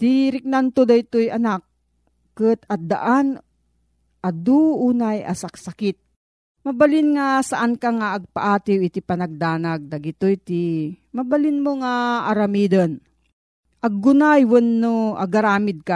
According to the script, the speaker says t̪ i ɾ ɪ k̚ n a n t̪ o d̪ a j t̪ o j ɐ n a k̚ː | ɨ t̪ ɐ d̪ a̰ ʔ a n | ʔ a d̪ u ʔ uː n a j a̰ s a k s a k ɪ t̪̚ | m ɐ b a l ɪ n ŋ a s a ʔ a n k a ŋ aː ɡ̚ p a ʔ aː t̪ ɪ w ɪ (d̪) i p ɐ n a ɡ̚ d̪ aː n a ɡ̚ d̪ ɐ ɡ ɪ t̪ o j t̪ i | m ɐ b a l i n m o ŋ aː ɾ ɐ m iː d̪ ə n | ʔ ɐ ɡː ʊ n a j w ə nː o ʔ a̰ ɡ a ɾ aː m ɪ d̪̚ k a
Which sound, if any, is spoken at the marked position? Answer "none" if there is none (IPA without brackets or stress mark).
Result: t̪